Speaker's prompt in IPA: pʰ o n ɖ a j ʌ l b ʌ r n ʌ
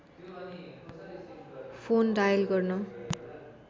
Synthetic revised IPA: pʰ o n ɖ a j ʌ l ɡ ʌ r n ʌ